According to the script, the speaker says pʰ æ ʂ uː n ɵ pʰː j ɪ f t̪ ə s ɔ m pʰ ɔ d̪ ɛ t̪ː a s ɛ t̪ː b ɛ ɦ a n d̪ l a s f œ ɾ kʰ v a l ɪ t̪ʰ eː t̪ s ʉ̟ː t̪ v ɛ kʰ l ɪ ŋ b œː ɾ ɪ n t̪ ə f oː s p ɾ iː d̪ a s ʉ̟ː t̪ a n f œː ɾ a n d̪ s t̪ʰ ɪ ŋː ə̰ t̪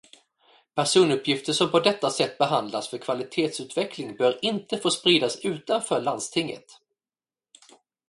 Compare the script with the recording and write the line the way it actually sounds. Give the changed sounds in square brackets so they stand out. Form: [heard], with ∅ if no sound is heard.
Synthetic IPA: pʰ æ ʂ uː n ɵ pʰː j ɪ f t̪ ə [ʂ] ɔ m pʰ ɔ d̪ ɛ t̪ː a s ɛ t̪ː b ɛ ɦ a n d̪ l a s f œ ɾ kʰ v a l ɪ t̪ʰ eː t̪ s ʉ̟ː t̪ v ɛ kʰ l ɪ ŋ b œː ɾ ɪ n t̪ ə f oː s p ɾ iː d̪ a s ʉ̟ː t̪ a n f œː [ɭ] a n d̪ s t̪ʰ ɪ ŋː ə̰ t̪